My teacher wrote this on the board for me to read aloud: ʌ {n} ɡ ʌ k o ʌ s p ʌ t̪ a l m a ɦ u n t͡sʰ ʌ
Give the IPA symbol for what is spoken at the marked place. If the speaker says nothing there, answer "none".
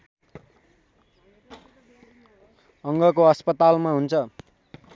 ŋ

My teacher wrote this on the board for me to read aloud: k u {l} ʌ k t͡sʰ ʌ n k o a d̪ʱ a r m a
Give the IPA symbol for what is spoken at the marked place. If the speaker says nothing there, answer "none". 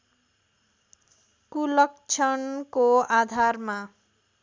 l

